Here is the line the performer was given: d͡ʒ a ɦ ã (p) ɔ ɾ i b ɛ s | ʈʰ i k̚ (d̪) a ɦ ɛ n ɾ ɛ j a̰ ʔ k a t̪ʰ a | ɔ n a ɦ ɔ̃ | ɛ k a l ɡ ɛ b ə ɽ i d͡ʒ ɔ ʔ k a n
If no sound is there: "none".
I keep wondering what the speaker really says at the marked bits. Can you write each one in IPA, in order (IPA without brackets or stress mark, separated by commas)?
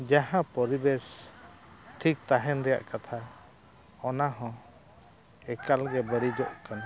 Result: p, t̪